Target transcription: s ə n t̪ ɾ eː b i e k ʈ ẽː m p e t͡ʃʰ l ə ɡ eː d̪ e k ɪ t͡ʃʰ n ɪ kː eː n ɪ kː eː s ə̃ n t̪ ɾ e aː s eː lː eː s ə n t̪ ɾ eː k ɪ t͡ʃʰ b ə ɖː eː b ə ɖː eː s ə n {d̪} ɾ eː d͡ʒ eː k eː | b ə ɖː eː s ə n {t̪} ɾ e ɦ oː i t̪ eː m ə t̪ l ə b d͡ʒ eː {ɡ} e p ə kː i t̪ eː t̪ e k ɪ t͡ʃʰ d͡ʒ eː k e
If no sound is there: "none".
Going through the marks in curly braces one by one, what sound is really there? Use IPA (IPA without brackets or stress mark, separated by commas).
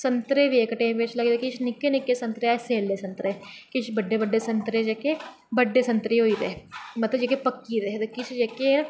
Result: t̪, t̪, k